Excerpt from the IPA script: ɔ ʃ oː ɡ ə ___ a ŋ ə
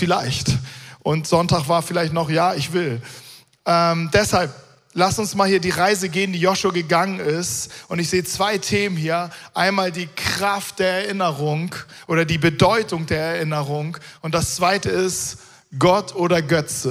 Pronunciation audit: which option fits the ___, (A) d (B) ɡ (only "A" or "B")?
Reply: B